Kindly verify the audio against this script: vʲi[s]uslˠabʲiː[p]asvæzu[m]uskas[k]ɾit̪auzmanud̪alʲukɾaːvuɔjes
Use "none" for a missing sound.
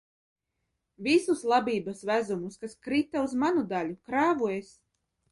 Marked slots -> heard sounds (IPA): s, b, m, k

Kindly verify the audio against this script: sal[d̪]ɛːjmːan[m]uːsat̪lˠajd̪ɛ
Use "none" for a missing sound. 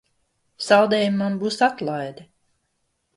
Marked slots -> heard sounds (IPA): d̪, b

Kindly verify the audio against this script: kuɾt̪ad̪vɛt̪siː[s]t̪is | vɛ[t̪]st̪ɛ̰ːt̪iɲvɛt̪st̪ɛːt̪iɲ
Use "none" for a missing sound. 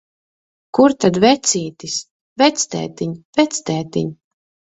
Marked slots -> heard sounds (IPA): none, t̪

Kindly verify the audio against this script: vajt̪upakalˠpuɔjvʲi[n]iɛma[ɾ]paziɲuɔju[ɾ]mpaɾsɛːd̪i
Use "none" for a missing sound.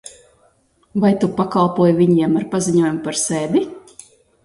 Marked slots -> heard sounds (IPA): ɲ, ɾ, none

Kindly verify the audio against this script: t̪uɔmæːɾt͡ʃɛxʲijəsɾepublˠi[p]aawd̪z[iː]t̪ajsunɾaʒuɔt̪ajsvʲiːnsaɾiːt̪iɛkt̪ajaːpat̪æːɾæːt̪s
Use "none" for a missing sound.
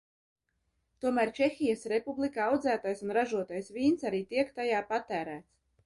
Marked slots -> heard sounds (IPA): k, æː

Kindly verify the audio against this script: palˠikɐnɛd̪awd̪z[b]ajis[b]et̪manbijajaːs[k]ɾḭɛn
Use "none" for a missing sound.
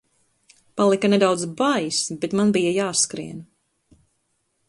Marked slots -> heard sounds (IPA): b, b, k

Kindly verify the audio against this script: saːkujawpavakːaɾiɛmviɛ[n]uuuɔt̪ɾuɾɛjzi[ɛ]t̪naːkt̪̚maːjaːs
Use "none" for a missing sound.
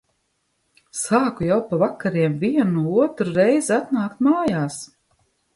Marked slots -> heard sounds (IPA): n, a

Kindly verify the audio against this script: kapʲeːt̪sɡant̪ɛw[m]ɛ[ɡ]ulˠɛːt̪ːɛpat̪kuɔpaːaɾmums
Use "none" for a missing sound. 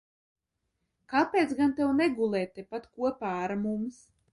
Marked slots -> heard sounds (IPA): n, ɡ

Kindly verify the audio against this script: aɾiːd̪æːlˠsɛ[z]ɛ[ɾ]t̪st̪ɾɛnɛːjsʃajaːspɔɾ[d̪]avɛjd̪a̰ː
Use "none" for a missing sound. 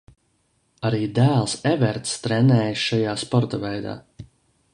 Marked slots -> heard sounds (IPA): v, ɾ, t̪

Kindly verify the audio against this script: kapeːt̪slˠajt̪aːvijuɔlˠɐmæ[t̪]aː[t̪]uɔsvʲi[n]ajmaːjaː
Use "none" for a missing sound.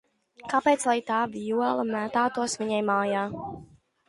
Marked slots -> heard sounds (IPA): t̪, t̪, ɲ

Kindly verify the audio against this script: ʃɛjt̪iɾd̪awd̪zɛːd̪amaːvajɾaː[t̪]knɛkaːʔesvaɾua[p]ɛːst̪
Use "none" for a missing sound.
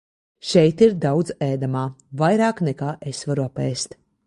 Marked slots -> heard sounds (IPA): none, p

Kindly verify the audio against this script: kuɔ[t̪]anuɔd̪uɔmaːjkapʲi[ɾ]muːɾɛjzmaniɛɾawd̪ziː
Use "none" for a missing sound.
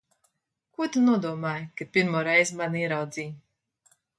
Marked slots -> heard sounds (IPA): t̪, ɾ

